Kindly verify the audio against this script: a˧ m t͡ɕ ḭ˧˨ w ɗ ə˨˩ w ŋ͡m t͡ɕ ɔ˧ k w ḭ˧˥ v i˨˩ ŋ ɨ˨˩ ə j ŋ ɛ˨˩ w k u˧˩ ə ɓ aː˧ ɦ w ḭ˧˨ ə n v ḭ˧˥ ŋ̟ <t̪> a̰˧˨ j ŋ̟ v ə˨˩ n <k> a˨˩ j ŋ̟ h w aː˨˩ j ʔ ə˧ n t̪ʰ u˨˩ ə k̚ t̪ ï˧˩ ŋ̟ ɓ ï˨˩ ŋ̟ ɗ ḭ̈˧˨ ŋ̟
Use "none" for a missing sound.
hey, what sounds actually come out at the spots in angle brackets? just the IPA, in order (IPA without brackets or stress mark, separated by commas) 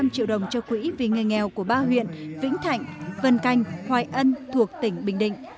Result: t̪ʰ, k